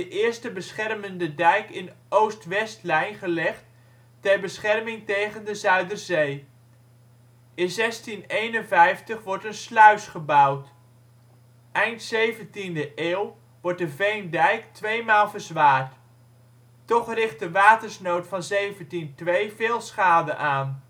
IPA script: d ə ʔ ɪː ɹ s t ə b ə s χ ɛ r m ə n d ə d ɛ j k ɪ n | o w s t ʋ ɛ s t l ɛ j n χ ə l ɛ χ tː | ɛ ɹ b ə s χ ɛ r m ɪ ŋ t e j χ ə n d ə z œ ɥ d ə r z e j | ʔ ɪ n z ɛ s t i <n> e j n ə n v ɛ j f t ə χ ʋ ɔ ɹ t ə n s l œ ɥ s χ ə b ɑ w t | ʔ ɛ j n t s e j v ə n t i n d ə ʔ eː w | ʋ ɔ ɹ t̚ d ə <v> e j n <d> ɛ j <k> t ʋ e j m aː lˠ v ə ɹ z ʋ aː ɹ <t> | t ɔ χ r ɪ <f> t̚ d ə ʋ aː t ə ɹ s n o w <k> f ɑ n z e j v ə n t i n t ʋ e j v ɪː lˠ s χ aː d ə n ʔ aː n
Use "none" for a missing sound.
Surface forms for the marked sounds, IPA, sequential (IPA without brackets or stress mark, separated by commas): n, v, d, k, t, χ, t